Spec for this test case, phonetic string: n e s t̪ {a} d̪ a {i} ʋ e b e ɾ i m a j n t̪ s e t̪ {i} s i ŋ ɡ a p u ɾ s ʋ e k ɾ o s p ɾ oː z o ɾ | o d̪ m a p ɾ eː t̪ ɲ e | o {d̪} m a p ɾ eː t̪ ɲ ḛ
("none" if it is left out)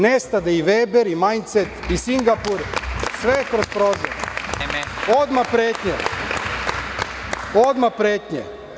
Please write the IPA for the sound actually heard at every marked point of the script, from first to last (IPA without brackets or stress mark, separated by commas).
a, i, i, d̪